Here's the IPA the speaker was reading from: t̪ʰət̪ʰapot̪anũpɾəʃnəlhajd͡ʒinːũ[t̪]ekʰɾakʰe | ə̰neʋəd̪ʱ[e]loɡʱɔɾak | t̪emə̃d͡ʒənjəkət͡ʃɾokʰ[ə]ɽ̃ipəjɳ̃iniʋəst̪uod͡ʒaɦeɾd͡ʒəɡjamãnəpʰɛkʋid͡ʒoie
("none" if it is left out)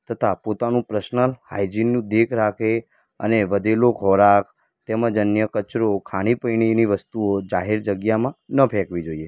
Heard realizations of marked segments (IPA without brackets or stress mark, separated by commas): d̪, e, a